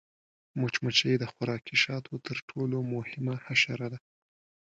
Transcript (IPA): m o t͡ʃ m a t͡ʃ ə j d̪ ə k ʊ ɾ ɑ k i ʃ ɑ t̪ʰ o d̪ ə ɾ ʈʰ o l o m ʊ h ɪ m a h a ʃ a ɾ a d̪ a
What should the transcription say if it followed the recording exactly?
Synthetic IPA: m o t͡ʃ m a t͡ʃ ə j d̪ ə x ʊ ɾ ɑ k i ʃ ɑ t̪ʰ o t̪ ə ɾ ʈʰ o l o m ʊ h ɪ m a h a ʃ a ɾ a d̪ a